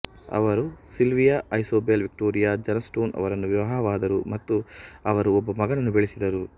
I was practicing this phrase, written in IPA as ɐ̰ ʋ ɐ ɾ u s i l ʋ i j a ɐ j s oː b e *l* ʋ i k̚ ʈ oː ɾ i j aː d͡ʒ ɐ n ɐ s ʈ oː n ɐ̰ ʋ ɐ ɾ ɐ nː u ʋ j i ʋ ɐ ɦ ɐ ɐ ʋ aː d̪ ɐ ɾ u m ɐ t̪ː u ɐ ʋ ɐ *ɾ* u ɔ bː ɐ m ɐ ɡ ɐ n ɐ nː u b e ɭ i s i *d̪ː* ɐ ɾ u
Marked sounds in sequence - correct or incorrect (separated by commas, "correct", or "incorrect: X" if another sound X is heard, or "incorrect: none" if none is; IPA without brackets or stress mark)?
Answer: correct, correct, incorrect: d̪